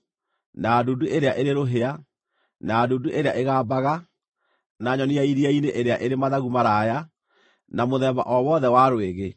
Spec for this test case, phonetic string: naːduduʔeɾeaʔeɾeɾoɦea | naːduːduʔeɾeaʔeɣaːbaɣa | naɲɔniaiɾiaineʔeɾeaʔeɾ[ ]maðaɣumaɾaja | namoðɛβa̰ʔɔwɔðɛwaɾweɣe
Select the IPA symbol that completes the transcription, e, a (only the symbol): e